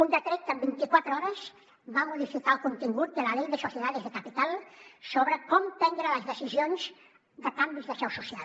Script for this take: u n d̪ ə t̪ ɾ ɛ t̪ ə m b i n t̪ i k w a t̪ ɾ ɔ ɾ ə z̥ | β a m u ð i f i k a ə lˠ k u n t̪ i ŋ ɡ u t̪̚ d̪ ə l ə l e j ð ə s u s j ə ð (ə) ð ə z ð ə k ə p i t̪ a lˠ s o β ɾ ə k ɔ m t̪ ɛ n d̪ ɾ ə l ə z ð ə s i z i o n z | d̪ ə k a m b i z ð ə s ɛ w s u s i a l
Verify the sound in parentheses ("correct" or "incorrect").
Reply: incorrect